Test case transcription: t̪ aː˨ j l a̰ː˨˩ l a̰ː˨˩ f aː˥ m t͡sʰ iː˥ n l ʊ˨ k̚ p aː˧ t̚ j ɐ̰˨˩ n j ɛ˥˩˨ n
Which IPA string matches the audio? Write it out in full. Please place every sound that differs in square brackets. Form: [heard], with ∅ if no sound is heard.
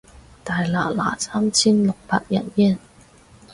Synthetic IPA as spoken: t̪ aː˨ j l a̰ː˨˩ l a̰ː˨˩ [s] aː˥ m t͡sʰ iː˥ n l ʊ˨ k̚ p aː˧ [k̚] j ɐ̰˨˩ n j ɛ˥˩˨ n